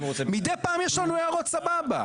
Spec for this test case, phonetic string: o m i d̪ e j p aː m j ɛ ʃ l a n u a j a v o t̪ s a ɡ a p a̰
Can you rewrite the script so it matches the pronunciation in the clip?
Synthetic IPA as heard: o m i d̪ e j p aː m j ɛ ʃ l a n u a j a ʁ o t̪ s a b a b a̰